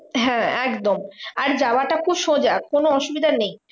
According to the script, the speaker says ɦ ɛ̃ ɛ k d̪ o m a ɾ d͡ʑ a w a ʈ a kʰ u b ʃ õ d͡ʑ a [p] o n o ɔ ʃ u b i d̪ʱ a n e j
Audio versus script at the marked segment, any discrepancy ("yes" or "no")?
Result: yes